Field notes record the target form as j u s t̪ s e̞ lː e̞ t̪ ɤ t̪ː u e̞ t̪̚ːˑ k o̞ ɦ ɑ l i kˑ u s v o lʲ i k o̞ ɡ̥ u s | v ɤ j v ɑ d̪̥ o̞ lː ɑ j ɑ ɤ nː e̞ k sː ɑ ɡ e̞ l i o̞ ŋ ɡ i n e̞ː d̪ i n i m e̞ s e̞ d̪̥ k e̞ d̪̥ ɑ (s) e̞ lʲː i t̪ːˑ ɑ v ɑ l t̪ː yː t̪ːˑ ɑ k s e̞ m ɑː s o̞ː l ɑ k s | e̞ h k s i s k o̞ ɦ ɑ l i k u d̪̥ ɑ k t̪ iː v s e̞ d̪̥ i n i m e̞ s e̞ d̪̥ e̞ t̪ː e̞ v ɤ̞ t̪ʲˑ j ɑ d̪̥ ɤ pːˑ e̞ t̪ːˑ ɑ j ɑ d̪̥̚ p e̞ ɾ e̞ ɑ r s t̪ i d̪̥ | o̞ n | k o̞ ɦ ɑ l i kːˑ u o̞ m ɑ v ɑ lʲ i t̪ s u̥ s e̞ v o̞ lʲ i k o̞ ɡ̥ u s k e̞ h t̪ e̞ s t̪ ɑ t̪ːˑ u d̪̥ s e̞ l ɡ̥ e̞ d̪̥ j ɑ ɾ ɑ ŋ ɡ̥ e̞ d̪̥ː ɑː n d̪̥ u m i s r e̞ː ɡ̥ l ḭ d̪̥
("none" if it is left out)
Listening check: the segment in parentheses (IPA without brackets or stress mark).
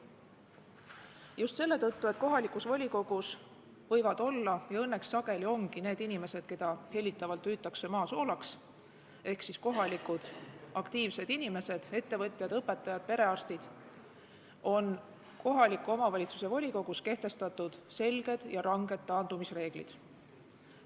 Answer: h